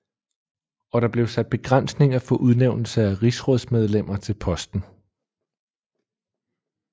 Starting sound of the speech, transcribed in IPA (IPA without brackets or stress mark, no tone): ɒ̽